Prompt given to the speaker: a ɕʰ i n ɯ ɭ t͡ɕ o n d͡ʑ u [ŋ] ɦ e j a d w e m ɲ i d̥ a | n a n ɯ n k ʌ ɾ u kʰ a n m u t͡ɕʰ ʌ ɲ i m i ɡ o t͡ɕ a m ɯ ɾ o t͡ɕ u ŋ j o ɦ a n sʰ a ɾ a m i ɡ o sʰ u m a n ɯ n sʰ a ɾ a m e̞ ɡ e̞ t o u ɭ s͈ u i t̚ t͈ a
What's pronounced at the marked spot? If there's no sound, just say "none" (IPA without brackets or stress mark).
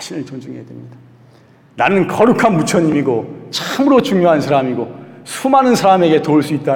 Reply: ŋ